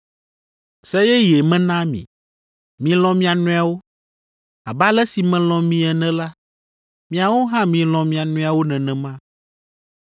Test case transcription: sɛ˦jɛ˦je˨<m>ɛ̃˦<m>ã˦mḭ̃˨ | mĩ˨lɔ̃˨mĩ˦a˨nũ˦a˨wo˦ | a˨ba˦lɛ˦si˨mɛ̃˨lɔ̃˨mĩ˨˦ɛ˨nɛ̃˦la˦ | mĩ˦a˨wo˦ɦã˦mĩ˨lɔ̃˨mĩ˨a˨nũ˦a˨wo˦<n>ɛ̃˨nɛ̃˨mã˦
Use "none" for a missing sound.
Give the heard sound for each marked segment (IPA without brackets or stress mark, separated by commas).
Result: m, n, n